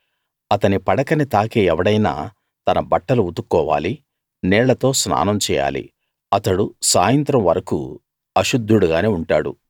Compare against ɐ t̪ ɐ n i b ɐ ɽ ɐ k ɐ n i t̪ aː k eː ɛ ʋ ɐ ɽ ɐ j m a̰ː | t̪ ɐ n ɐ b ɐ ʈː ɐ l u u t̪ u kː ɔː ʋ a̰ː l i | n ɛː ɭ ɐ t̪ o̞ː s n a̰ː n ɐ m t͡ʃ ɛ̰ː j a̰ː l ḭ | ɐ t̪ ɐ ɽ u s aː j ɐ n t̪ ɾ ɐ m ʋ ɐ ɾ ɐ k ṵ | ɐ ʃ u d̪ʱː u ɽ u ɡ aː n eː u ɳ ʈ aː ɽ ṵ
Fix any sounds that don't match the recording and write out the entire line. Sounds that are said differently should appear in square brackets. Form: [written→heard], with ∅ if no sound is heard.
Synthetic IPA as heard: ɐ t̪ ɐ n i [b→p] ɐ ɽ ɐ k ɐ n i t̪ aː k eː ɛ ʋ ɐ ɽ ɐ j [m→n] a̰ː | t̪ ɐ n ɐ b ɐ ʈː ɐ l u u t̪ u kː ɔː ʋ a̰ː l i | n ɛː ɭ ɐ t̪ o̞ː s n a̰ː n ɐ m t͡ʃ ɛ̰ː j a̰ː l ḭ | ɐ t̪ ɐ ɽ u s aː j ɐ n t̪ ɾ ɐ m ʋ ɐ ɾ ɐ k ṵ | ɐ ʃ u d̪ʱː u ɽ u ɡ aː n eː u ɳ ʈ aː ɽ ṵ